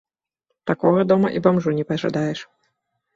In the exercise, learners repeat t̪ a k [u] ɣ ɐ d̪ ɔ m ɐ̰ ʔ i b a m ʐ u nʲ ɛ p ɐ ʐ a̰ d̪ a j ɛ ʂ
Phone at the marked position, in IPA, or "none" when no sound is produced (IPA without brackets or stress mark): ɔ